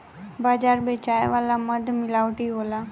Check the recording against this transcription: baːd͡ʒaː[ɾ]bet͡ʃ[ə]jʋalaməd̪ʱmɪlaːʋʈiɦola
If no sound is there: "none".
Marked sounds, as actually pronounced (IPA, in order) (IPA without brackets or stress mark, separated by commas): ɾ, a